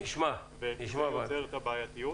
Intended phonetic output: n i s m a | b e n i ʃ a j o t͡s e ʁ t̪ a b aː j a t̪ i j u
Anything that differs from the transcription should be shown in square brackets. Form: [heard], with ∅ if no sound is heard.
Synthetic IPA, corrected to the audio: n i [ʃ] m a | [v] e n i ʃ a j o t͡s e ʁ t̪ a b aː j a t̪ i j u